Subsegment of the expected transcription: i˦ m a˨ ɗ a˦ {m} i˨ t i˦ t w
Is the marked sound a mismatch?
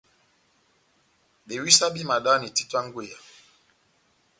yes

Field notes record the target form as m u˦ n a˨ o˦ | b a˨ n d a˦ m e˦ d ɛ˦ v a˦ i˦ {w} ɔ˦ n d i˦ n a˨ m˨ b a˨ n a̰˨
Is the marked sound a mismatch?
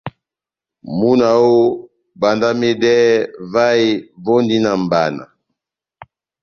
yes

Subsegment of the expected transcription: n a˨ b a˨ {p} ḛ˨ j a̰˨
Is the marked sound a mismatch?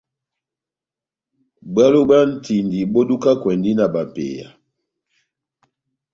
no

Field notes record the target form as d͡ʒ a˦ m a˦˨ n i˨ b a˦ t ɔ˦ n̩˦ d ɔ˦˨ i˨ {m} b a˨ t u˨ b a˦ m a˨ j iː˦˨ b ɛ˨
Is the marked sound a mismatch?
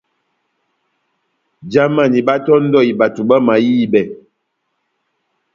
yes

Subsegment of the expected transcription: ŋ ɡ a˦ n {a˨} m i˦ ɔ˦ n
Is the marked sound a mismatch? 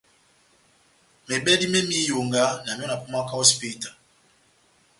no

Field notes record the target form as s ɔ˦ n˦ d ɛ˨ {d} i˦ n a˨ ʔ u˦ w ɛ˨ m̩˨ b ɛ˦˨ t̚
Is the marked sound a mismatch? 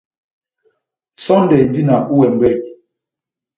no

